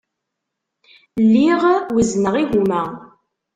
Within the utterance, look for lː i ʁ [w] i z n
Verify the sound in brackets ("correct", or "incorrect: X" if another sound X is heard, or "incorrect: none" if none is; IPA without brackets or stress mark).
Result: correct